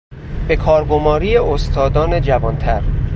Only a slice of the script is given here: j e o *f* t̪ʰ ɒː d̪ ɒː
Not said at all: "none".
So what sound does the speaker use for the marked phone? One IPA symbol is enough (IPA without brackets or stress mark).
s